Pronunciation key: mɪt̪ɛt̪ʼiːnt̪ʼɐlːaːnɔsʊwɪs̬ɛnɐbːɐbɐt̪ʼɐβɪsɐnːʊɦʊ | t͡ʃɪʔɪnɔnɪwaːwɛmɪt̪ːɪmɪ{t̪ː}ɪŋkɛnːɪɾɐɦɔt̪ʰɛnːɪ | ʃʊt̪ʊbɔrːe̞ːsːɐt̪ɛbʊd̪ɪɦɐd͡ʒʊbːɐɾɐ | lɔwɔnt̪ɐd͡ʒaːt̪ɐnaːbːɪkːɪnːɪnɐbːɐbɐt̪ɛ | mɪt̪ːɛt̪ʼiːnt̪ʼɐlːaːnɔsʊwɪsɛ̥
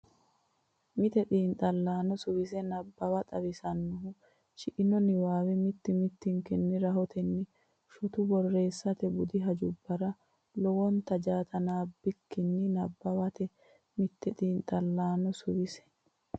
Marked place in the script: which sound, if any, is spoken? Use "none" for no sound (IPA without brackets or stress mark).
t̪ː